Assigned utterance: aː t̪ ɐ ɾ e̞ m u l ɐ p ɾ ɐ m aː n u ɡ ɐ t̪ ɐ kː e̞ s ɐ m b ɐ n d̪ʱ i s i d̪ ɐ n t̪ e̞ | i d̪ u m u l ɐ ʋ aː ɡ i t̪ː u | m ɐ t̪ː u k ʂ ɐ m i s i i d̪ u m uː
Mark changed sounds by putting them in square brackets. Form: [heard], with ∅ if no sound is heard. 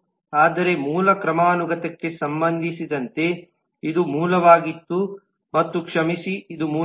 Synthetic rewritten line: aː [d̪] ɐ ɾ e̞ m [uː] l ɐ [k] ɾ ɐ m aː n u ɡ ɐ t̪ ɐ kː e̞ s ɐ m b ɐ n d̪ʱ i s i d̪ ɐ n t̪ e̞ | i d̪ u m [uː] l ɐ ʋ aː ɡ i t̪ː u | m ɐ t̪ː u k ʂ ɐ m i s i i d̪ u m uː